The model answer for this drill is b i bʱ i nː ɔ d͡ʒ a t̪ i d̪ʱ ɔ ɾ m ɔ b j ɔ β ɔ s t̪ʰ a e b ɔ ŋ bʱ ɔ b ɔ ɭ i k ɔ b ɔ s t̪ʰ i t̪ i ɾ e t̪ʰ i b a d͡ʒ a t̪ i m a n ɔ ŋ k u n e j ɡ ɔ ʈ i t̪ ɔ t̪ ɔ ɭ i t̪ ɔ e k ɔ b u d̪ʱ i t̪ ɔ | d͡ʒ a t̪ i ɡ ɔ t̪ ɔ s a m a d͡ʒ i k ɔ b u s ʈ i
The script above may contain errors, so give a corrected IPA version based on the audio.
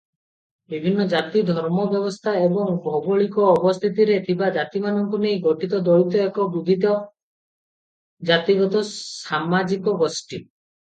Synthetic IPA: b i bʱ i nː ɔ d͡ʒ a t̪ i d̪ʱ ɔ ɾ m ɔ b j ɔ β ɔ s t̪ʰ a e b ɔ ŋ bʱ ɔ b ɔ ɭ i k ɔː b ɔ s t̪ʰ i t̪ i ɾ e t̪ʰ i b a d͡ʒ a t̪ i m a n ɔ ŋ k u n e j ɡ ɔ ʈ i t̪ ɔ d̪ ɔ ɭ i t̪ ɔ e k ɔ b u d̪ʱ i t̪ ɔ | d͡ʒ a t̪ i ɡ ɔ t̪ ɔ s a m a d͡ʒ i k ɔ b ɔ s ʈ i